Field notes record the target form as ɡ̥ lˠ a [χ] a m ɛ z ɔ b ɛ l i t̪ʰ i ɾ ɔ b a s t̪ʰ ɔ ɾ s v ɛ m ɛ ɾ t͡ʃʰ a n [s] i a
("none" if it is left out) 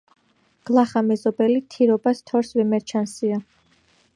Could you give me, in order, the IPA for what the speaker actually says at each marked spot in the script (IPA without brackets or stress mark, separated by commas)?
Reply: χ, s